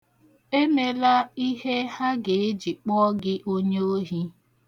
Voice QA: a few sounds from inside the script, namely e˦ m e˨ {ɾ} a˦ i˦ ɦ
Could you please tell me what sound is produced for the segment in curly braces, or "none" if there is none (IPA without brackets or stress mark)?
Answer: l